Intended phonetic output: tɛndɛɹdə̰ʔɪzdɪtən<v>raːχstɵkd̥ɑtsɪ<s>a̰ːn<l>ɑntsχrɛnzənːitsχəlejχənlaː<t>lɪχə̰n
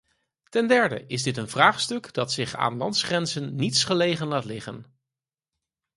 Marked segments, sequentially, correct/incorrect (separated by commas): correct, incorrect, correct, correct